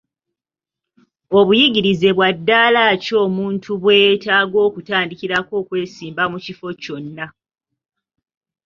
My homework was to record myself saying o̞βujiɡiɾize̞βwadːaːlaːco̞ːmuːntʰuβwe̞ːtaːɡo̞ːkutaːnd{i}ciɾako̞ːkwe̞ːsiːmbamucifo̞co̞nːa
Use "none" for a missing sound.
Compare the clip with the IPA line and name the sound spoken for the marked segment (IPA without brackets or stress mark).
i